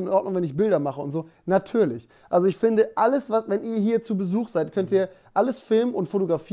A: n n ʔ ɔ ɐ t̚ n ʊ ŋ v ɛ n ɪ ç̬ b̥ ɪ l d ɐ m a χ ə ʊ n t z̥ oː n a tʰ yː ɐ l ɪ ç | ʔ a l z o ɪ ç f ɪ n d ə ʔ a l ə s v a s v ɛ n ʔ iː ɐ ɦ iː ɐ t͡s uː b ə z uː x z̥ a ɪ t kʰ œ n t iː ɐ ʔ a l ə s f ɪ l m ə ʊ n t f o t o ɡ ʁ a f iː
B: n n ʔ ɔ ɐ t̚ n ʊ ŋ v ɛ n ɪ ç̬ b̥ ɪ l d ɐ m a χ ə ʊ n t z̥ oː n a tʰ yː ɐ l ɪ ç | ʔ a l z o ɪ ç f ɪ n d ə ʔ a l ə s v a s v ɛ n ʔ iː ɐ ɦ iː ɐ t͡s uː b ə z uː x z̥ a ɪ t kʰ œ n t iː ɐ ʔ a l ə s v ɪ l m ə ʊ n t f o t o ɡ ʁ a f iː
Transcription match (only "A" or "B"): A